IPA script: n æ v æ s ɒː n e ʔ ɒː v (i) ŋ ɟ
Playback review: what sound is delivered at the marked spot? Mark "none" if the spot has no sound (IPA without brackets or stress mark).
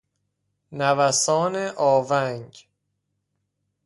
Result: æ